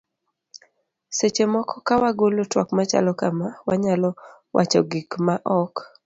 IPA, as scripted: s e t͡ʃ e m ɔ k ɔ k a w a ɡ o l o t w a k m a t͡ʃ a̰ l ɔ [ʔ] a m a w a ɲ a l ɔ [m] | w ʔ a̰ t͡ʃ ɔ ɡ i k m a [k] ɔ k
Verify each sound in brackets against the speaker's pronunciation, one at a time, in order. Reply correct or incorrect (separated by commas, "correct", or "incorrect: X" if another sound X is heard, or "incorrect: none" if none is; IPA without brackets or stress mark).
incorrect: k, incorrect: none, incorrect: ʔ